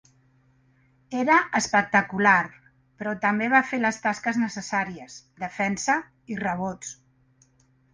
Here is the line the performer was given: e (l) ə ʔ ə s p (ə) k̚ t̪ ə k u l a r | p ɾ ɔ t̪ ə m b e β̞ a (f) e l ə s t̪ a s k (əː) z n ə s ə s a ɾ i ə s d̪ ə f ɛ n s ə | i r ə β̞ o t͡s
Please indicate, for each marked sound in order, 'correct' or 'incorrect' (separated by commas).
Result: incorrect, correct, correct, incorrect